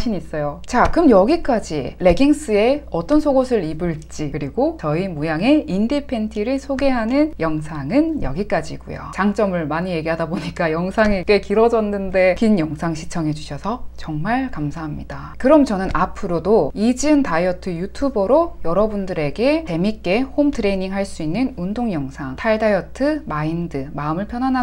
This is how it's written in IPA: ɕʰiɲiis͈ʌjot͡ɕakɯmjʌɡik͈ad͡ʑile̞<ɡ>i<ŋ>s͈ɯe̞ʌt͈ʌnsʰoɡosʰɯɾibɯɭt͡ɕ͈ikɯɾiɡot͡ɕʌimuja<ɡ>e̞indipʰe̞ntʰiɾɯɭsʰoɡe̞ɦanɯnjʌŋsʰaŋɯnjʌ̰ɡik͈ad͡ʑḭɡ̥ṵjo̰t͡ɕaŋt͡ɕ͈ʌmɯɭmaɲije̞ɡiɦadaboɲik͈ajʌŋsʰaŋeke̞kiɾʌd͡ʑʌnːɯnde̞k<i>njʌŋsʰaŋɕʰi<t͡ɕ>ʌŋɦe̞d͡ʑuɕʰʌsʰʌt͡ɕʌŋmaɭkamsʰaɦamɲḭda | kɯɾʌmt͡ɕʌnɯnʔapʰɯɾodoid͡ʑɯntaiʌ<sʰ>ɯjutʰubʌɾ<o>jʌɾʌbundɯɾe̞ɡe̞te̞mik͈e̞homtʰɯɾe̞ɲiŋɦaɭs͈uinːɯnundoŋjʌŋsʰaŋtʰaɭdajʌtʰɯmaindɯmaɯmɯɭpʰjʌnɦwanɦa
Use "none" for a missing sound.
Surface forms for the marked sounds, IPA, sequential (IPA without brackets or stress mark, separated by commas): ɡ, ŋ, ŋ, i, t͡ɕʰ, tʰ, o